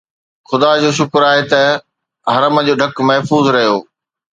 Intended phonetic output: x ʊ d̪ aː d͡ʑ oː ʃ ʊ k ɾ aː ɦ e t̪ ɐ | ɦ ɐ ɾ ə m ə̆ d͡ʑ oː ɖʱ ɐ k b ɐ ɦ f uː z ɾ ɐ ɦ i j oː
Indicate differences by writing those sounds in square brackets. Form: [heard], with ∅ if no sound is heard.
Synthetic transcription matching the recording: x ʊ d̪ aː d͡ʑ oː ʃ ʊ k ɾ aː ɦ e t̪ ɐ | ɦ ɐ ɾ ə m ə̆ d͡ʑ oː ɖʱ ɐ k [m] ɐ ɦ f uː z ɾ ɐ ɦ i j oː